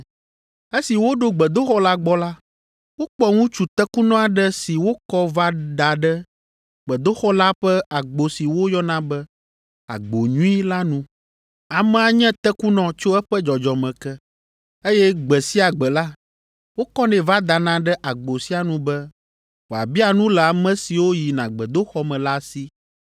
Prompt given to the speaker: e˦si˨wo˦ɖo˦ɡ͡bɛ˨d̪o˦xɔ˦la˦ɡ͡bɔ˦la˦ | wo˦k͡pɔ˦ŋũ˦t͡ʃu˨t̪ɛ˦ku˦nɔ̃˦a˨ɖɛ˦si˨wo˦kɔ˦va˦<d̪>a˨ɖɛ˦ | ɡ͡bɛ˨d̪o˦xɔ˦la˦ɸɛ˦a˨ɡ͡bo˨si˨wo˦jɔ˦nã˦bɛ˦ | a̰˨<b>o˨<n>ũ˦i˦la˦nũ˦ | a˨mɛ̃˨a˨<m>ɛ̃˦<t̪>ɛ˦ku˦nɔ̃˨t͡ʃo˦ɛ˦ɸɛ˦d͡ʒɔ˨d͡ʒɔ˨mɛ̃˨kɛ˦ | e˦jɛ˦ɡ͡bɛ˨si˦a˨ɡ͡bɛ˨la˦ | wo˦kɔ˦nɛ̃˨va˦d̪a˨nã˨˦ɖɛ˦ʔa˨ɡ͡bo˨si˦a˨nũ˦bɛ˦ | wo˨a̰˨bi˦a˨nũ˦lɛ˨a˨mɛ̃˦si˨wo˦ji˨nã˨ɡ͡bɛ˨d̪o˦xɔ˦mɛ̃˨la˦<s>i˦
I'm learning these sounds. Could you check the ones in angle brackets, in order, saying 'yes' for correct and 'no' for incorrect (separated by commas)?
yes, no, no, no, yes, yes